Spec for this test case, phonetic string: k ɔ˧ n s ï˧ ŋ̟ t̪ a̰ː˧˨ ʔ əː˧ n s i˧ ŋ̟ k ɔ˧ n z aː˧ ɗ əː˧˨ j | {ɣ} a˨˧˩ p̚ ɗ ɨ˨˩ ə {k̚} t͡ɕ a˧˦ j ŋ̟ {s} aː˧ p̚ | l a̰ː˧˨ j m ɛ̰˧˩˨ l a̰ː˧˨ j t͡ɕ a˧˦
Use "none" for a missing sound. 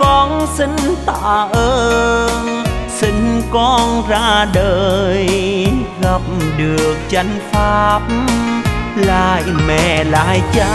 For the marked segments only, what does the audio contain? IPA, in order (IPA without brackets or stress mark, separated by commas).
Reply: ɣ, k̚, f